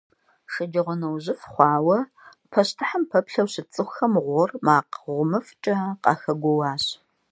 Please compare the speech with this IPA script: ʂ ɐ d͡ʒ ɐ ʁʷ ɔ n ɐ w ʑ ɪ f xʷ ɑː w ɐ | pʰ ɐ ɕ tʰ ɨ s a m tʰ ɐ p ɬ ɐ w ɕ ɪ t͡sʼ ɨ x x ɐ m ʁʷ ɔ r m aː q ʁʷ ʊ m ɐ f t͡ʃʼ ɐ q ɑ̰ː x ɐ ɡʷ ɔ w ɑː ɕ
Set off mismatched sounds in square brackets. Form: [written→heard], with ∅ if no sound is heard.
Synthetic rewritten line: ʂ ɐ d͡ʒ ɐ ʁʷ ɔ n ɐ w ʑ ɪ f [xʷ→χʷ] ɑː w ɐ | pʰ ɐ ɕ tʰ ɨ [s→ħ] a m [tʰ→pʰ] ɐ p ɬ ɐ w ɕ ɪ t͡sʼ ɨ x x ɐ m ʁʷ ɔ r m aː q ʁʷ ʊ m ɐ f t͡ʃʼ ɐ q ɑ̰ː x ɐ ɡʷ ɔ w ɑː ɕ